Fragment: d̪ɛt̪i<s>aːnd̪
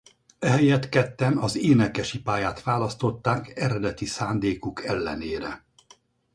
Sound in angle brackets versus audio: correct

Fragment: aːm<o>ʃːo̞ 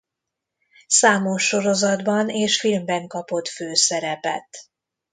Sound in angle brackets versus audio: correct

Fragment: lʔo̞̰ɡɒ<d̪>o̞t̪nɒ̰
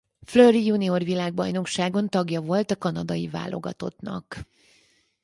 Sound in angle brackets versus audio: incorrect: t̪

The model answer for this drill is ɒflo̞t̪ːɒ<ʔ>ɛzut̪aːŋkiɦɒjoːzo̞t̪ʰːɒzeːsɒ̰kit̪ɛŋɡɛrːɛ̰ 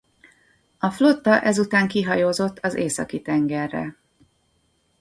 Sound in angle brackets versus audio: correct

